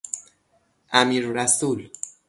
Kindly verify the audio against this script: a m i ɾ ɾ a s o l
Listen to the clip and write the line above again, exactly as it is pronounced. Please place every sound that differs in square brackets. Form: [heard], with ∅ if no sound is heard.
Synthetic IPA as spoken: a m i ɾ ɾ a s [u] l